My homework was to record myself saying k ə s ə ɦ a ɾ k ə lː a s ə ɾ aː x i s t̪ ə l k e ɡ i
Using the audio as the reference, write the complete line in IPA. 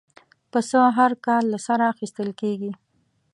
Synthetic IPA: p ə s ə ɦ a ɾ k ɑ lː a s a ɾ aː x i s t̪ ə l k e ɡ i